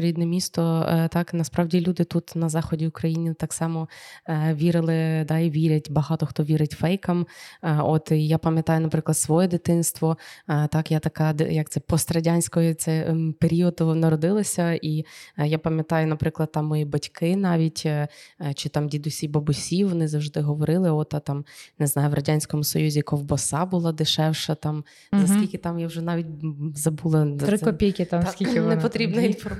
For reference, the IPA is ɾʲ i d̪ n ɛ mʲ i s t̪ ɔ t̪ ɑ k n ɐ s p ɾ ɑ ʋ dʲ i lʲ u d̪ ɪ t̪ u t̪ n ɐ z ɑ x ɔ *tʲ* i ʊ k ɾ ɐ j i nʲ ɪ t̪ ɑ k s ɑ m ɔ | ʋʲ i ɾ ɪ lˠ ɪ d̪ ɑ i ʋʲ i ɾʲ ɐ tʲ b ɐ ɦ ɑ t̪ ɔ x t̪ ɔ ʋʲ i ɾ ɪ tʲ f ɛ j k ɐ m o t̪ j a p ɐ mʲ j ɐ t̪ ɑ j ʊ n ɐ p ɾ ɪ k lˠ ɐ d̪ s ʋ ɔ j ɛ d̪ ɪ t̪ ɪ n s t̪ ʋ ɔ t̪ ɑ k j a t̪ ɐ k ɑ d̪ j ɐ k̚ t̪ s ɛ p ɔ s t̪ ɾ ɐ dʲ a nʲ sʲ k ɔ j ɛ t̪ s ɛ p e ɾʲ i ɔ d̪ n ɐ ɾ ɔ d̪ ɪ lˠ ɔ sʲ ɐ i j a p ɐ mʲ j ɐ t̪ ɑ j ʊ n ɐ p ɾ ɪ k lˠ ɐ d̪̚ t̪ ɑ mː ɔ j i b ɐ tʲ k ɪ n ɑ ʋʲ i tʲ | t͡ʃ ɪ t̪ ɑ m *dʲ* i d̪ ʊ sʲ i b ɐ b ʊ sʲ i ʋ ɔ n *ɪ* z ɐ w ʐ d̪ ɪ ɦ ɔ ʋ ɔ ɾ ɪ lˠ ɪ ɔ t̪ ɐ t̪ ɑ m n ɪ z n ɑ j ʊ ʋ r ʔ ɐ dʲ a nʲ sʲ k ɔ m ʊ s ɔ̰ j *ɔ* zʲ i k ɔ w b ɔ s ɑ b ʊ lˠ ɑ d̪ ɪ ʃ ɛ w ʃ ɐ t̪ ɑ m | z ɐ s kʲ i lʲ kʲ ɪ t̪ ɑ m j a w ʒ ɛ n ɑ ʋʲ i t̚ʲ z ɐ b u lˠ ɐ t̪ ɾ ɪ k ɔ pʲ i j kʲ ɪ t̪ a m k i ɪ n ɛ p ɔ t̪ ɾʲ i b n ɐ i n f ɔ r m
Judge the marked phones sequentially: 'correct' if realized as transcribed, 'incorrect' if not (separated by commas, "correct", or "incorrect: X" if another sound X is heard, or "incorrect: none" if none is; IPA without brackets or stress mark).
incorrect: dʲ, correct, correct, incorrect: u